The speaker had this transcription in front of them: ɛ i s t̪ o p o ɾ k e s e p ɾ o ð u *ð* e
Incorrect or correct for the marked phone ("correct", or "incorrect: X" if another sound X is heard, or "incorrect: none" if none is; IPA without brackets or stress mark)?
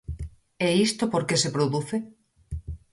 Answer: incorrect: θ